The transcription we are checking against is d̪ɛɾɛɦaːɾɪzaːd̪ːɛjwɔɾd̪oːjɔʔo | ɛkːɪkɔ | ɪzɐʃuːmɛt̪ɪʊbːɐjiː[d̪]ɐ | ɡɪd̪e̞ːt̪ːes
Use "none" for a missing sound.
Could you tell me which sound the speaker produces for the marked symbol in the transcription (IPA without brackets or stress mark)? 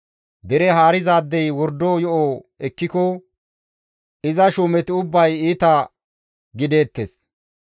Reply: t̪